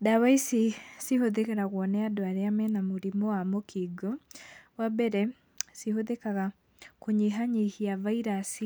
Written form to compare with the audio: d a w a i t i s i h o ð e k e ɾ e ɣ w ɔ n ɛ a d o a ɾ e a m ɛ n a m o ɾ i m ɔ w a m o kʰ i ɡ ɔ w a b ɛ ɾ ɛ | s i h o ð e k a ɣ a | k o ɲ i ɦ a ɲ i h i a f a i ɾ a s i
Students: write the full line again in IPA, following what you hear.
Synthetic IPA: d a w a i s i s i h o ð e k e ɾ a ɣ w ɔ n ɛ a d o a ɾ e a m ɛ n a m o ɾ i m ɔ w a m o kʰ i ɡ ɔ w a b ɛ ɾ ɛ | s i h o ð e k a ɣ a | k o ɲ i ɦ a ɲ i h i a v a i ɾ a s i